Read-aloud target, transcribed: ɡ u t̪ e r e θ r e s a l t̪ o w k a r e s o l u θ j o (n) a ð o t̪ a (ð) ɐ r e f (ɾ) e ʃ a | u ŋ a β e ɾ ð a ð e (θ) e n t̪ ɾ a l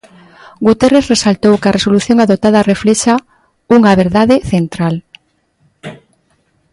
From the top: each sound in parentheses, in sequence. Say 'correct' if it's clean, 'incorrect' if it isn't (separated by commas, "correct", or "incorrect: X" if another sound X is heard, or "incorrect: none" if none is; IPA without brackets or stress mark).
incorrect: ŋ, correct, incorrect: l, correct